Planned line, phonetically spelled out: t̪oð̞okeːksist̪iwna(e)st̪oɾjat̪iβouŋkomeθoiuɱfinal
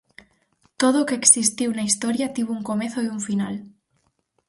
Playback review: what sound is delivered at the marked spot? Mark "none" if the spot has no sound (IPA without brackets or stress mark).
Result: i